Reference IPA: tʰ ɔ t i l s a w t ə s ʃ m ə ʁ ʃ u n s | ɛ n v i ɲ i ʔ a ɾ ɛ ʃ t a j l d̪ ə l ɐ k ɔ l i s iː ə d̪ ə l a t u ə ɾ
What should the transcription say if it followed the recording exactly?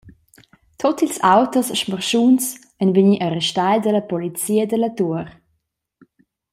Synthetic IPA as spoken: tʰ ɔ t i l s a w t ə s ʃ m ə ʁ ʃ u n s | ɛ n v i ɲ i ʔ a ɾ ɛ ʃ t a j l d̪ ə l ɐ p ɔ l i t͡s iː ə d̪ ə l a t u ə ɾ